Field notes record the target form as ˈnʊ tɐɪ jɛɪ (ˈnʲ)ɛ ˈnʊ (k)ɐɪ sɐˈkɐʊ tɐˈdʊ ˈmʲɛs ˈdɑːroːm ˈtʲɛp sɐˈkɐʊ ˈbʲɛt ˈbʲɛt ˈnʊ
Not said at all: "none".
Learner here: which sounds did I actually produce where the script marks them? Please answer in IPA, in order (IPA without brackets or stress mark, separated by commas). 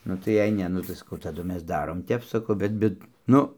nʲ, t